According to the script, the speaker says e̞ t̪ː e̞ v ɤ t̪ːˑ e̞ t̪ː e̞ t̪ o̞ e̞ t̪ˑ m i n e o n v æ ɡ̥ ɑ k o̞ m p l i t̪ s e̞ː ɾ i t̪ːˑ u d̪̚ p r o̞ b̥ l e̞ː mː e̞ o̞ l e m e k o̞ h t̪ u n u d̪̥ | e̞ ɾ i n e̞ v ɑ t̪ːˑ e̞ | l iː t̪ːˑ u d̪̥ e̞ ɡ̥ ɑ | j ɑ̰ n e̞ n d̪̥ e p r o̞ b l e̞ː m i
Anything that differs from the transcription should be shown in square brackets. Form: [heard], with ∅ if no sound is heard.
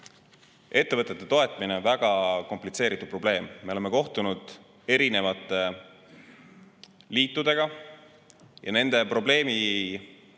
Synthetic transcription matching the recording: e̞ t̪ː e̞ v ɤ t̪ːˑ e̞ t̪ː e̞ t̪ o̞ e̞ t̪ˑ m i n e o n v æ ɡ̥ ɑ k o̞ m p l i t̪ s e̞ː ɾ i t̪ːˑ u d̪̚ p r o̞ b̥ l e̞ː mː e̞ o̞ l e m e k o̞ h t̪ u n u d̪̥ | e̞ ɾ i n e̞ v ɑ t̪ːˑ e̞ | l iː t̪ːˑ u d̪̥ e̞ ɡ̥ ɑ | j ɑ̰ n e̞ n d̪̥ e p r o̞ b l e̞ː m i